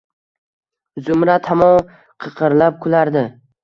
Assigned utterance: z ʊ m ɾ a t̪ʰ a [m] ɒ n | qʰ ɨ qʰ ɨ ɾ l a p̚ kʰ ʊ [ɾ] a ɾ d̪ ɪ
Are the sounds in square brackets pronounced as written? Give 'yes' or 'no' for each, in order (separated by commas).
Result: yes, no